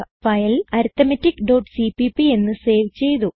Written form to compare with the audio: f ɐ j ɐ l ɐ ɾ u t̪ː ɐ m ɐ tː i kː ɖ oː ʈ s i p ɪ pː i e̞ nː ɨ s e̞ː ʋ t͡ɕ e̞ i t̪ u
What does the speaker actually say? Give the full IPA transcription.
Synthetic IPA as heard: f ɐ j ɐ l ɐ ɾ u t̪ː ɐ m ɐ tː i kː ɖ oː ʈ s i p i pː i e̞ nː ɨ s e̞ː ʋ t͡ɕ e̞ j t̪ u